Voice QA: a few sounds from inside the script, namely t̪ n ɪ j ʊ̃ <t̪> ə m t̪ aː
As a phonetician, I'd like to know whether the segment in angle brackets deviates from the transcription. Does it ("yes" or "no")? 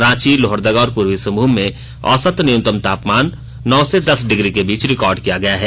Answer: no